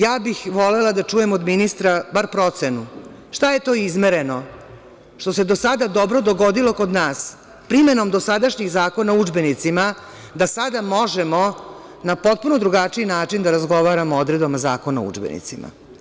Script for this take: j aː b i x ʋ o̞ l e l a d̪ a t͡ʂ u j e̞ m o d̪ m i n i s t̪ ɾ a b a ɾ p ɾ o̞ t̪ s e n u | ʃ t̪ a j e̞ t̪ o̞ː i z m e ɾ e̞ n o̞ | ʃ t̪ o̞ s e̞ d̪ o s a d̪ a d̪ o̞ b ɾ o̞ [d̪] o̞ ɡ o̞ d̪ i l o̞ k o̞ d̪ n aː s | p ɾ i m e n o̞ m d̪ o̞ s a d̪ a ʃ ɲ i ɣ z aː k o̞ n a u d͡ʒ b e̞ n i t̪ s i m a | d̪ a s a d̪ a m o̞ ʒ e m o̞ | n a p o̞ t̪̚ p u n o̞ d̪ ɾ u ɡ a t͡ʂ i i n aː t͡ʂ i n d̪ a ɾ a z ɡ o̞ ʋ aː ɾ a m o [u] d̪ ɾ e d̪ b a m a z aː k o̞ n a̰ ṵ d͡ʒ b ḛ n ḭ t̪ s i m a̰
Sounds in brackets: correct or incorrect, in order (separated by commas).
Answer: correct, incorrect